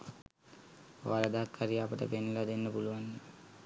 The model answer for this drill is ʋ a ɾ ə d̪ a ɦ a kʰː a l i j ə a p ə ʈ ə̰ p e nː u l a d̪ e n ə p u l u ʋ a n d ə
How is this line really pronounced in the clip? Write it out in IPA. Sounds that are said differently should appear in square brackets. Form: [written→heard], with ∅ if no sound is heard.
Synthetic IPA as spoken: ʋ a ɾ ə d̪ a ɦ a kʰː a [l→ɾ] i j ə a p ə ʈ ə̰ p e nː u l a d̪ e [n→nː] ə p u l u ʋ a n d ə